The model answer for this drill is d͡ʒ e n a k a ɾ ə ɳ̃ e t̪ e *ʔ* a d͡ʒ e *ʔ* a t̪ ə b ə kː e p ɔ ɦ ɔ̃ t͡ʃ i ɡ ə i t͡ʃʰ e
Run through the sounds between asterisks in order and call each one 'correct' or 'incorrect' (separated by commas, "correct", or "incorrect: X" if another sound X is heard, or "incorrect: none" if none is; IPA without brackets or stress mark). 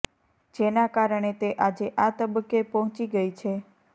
correct, correct